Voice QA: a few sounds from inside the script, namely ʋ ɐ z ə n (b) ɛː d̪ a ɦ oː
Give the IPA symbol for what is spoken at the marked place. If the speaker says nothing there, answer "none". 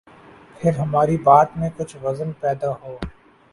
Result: p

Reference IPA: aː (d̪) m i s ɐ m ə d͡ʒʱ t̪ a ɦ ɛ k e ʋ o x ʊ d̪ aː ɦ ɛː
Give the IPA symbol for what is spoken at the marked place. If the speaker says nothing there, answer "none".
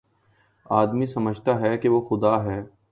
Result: d̪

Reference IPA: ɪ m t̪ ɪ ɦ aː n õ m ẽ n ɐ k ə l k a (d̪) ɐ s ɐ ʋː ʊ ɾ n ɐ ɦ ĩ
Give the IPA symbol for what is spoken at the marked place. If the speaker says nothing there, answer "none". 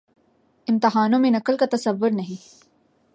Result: t̪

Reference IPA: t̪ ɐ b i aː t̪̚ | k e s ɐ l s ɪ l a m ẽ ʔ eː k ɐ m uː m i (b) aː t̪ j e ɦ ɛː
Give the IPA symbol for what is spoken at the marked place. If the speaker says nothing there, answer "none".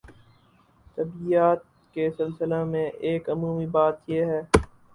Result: b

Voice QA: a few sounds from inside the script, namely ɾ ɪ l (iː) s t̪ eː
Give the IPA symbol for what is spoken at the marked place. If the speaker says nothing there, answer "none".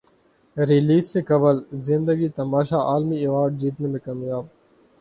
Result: iː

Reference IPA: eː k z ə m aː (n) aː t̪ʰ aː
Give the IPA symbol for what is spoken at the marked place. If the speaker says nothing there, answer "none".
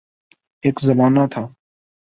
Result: n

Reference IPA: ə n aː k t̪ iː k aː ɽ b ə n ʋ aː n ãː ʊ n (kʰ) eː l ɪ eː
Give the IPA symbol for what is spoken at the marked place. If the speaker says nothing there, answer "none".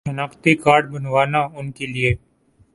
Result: k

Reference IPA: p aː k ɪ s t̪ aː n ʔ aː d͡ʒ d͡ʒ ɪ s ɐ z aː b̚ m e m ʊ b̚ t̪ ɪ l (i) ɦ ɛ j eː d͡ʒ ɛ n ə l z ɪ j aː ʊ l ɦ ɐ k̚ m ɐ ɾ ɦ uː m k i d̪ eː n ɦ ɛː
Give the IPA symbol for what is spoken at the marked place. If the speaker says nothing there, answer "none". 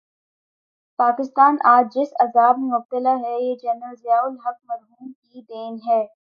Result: a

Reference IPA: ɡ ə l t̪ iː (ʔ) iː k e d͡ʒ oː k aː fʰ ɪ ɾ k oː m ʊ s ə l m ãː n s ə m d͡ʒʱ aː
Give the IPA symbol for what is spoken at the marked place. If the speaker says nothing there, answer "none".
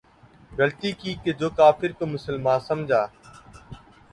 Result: k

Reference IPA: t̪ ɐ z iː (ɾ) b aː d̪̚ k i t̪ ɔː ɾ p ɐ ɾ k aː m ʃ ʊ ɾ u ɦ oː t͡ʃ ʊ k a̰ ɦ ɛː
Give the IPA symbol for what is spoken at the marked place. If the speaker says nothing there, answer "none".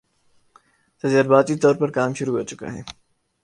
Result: ɾ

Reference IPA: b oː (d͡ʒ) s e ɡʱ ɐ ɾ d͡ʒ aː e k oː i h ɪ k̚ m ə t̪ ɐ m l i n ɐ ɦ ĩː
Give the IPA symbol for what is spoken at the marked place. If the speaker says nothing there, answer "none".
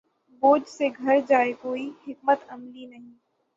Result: d͡ʒ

